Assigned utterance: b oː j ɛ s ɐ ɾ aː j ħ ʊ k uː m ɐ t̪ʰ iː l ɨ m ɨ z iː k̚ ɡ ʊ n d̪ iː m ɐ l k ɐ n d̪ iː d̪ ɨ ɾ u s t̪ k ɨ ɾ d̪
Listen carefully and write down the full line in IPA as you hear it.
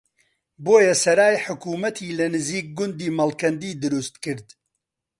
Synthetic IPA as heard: b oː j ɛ s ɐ ɾ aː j ħ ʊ k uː m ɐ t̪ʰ iː l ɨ n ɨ z iː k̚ ɡ ʊ n d̪ iː m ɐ l k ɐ n d̪ iː d̪ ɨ ɾ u s t̪ k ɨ ɾ d̪